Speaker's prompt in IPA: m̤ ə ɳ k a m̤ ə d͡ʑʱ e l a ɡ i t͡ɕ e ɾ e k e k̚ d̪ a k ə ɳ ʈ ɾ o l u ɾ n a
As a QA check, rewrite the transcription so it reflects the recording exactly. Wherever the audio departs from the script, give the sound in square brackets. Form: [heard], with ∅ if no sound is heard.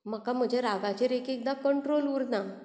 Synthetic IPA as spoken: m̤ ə [∅] k a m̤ ə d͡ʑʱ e [ɾ] a ɡ [a] t͡ɕ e ɾ e k e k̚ d̪ a k ə ɳ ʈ ɾ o l u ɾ n a